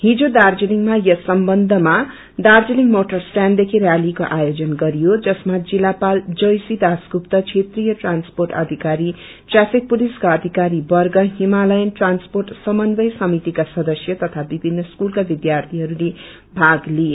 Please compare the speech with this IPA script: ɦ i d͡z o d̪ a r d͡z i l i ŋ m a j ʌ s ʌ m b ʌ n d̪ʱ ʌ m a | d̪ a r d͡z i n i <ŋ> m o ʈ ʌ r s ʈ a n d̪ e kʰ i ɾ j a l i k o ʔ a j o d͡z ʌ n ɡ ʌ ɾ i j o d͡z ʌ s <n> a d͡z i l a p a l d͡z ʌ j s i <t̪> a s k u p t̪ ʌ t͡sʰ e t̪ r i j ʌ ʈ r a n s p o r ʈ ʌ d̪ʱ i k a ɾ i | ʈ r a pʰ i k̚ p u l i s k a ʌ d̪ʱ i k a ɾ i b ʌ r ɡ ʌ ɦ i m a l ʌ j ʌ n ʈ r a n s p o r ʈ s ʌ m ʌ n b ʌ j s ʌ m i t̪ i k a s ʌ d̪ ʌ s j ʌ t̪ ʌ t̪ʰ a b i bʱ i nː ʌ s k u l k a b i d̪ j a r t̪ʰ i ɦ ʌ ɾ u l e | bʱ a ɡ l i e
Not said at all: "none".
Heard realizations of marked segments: ŋ, m, d̪

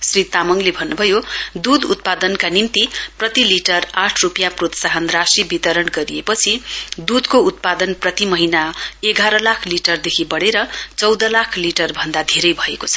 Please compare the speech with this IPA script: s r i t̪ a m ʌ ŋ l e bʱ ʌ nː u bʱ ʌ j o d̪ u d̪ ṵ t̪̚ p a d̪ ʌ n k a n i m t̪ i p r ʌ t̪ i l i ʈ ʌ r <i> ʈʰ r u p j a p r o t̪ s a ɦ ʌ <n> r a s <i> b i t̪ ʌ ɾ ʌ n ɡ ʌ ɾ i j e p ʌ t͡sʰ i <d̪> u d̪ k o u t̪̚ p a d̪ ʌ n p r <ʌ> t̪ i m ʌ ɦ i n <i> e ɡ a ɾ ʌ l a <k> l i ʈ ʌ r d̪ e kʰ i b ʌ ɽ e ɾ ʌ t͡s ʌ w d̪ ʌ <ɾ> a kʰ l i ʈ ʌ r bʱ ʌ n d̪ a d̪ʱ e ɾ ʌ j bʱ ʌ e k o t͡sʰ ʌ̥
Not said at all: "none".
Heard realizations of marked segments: a, n, i, d̪, ʌ, a, kʰ, l

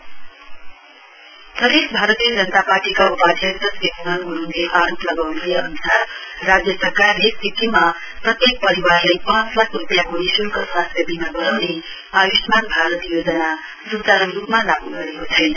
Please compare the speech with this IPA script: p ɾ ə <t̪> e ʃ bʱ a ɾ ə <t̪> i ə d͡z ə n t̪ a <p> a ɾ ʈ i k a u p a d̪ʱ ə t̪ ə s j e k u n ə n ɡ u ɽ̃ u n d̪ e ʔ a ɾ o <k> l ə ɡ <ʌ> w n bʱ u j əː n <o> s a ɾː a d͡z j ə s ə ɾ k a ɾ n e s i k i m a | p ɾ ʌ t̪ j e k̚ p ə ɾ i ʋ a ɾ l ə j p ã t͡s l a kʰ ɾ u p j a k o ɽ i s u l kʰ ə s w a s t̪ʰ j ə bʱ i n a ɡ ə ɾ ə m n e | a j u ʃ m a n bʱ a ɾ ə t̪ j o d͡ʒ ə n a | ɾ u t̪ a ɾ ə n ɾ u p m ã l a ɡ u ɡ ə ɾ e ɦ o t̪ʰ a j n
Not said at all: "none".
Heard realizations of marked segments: d̪, t̪, p, p, a, u

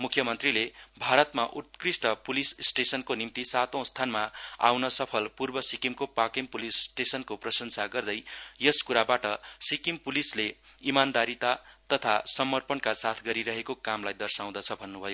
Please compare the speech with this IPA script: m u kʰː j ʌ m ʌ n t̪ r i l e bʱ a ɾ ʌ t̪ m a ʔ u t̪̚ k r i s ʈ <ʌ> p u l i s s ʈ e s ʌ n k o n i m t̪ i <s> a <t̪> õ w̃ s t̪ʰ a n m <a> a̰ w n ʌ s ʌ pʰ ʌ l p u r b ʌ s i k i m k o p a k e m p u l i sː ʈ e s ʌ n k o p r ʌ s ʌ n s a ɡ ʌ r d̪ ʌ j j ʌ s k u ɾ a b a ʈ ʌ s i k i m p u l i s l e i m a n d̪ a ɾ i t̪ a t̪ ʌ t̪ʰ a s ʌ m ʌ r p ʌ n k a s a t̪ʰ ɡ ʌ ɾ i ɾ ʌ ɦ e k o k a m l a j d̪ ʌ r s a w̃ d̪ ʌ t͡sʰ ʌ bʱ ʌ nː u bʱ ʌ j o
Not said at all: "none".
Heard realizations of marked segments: ʌ, s, t̪, a

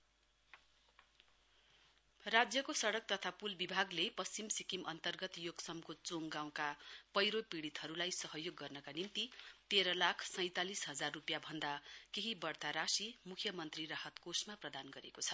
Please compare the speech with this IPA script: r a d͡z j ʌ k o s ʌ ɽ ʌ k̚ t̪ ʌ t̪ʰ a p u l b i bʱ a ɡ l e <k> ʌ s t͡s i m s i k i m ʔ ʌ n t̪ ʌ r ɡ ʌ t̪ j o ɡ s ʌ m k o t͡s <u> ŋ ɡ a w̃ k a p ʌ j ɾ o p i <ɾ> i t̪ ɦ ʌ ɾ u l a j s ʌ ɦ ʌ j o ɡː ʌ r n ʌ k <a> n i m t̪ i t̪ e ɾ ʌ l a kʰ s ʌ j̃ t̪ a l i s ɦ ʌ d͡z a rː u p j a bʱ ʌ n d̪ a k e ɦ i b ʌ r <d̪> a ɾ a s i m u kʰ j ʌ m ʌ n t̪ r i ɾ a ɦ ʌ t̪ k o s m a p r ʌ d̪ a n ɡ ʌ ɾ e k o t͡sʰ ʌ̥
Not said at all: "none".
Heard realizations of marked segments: p, o, ɽ, a, t̪

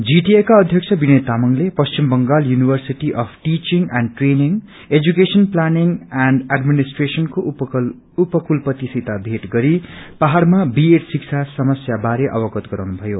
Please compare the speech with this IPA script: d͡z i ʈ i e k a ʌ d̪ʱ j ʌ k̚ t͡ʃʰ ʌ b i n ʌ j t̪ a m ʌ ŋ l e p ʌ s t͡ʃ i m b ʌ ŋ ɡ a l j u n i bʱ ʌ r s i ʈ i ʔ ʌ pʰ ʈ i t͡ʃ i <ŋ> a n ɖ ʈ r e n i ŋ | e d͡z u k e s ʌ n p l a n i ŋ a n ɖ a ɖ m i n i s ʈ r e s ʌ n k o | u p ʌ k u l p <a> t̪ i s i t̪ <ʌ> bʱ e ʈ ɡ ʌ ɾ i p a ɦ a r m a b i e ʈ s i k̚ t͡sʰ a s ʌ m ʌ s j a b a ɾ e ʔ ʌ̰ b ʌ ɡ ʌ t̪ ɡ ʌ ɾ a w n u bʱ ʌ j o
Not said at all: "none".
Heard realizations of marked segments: ŋ, ʌ, a

